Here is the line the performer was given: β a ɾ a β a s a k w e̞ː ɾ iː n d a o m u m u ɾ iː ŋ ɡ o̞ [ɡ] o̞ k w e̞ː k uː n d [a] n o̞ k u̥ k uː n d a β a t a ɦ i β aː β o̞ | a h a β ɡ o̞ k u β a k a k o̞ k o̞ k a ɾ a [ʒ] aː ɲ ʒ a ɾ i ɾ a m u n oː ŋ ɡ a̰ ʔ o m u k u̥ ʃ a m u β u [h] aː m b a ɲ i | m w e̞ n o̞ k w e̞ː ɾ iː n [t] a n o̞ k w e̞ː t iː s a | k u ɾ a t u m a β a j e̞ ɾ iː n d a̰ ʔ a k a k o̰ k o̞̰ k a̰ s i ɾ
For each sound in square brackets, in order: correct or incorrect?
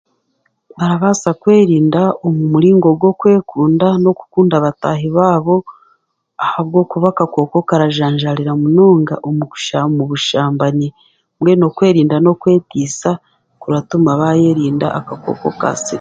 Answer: correct, correct, correct, incorrect, incorrect

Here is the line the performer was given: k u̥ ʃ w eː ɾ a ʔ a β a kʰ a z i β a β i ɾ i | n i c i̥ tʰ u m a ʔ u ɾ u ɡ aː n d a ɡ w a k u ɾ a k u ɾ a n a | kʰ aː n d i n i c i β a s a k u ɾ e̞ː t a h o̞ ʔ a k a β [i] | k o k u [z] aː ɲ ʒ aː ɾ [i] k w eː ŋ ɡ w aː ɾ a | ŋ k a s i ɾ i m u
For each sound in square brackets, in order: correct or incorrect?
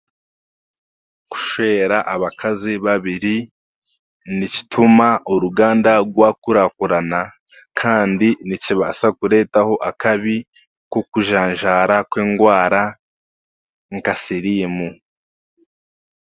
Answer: correct, incorrect, incorrect

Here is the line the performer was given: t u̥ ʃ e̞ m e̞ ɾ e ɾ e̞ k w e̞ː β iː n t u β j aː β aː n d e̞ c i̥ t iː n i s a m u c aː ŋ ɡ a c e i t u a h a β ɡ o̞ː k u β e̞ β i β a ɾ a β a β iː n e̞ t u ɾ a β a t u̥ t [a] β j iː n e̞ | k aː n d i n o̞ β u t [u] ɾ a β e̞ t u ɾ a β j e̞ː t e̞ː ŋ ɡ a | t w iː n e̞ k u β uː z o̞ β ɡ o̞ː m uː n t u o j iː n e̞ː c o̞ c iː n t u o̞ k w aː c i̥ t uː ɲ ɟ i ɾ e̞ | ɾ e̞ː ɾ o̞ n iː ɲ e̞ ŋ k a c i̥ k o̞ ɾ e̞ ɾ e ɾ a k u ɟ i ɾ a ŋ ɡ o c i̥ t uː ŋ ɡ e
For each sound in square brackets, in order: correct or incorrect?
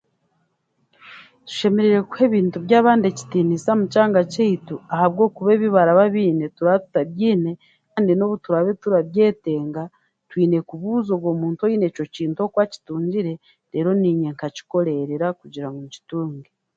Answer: correct, correct

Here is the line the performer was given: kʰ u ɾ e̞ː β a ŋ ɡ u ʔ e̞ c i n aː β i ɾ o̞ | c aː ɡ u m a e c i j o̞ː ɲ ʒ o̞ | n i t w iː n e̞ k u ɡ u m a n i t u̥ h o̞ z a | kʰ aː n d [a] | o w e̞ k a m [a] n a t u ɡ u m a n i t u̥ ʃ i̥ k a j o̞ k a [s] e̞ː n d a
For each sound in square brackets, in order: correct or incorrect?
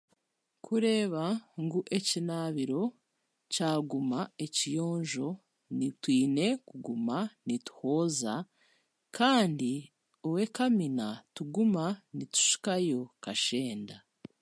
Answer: incorrect, incorrect, incorrect

